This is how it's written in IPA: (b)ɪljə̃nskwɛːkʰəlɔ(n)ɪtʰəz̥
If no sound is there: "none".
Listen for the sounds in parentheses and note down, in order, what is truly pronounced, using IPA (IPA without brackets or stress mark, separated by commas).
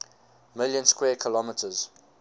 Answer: m, m